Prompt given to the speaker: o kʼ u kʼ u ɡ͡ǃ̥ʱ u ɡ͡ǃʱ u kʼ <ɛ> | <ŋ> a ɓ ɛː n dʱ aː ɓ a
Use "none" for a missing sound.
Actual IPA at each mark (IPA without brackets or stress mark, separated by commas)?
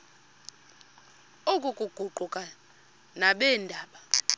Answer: a, n